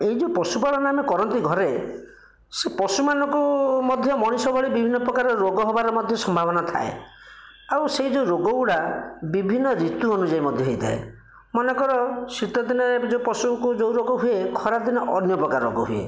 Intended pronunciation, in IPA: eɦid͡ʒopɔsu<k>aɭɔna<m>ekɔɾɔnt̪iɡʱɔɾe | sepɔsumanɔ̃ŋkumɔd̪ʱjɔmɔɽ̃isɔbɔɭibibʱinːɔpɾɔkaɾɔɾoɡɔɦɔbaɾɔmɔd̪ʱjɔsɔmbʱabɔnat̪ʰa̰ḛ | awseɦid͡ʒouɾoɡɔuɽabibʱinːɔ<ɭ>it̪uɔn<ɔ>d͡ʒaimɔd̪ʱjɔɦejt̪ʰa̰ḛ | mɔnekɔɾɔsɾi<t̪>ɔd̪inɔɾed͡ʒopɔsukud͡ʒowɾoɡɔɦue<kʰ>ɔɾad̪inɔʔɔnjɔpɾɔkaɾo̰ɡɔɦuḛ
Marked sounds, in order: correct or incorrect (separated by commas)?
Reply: incorrect, correct, incorrect, incorrect, correct, correct